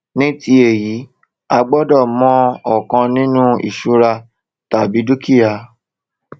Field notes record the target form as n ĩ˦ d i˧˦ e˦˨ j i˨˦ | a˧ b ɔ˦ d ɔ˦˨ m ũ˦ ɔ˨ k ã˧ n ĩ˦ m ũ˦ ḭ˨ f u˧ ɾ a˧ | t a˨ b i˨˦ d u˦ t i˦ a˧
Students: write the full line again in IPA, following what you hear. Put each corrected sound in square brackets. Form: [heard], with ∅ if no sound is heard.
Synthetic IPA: n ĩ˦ [t] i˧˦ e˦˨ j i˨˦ | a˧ [ɡ͡b] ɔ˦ d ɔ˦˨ m [ɔ̃˦] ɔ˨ k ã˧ n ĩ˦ [n] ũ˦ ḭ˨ [ʃ] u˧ ɾ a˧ | t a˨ b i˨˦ d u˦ [k] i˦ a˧